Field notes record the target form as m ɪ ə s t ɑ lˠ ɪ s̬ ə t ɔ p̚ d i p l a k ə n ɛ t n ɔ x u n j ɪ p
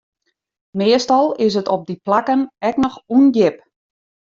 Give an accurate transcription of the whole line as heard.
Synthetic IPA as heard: m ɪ ə s t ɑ lˠ ɪ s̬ ə t ɔ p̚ d i p l a k ə n ɛ k n ɔ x u n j ɪ p